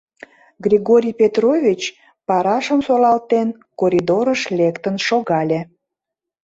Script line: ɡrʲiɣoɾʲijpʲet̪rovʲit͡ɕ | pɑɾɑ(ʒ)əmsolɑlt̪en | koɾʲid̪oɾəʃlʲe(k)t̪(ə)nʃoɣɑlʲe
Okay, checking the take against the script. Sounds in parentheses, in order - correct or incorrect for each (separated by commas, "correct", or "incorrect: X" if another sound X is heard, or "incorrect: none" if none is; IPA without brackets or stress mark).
incorrect: ʃ, correct, correct